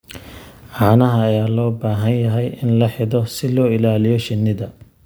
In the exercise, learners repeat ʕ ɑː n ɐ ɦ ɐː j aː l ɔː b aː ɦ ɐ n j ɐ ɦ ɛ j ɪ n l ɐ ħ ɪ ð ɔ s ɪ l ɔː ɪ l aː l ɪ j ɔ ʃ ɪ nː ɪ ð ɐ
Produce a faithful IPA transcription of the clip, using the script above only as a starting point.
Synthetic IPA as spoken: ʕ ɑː n ɐ ɦ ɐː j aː l ɔː b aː ɦ ɐ n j ɐ ɦ ɛ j ɪ n l ɐ ħ ɪ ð ɔ s ɪ l ɔː ɪ l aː l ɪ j ɔ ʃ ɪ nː ɪ ð ɐ